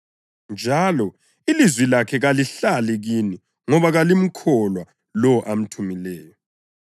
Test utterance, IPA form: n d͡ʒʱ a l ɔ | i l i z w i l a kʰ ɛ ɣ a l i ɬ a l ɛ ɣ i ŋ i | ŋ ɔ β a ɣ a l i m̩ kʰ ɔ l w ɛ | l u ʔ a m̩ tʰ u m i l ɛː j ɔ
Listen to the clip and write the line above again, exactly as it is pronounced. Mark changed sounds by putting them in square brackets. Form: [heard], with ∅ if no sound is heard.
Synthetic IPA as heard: n d͡ʒʱ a l ɔ | i l i z w i l a kʰ ɛ ɣ a l i ɬ a l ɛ ɣ i [n] i | ŋ ɔ β a ɣ a l i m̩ kʰ ɔ l w [a] | l [ɔ] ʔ a m̩ tʰ u m i l ɛː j ɔ